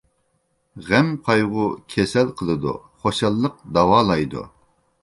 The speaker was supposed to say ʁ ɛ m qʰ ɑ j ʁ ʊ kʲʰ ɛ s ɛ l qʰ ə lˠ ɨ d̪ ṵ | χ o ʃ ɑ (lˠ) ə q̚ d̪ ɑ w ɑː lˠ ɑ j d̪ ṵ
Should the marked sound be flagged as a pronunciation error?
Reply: yes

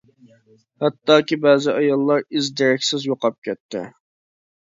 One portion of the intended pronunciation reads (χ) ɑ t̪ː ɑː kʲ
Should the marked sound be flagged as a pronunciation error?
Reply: yes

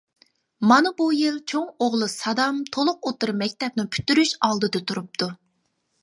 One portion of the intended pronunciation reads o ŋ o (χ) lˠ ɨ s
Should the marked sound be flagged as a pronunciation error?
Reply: yes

